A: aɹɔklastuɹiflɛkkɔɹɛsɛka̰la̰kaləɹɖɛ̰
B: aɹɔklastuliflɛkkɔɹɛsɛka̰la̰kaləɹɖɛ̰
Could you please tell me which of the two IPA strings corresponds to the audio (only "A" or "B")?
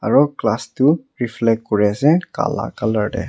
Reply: A